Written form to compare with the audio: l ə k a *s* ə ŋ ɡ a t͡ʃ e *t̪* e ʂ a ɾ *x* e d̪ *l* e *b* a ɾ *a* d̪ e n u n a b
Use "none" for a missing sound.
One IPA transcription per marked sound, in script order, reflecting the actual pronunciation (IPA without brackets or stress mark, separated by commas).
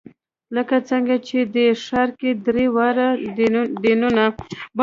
t͡s, d̪, k, ɾ, w, a